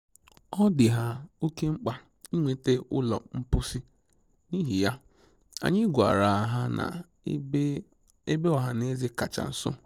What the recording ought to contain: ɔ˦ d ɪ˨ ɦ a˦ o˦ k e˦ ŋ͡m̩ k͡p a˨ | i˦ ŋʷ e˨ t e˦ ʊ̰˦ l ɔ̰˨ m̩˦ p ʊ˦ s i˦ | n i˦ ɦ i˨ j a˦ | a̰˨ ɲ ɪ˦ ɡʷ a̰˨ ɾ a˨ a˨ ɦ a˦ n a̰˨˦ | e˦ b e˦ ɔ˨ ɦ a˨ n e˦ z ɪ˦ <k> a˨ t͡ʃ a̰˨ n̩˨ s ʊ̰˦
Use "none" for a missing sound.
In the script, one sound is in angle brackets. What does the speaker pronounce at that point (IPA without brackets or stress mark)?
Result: k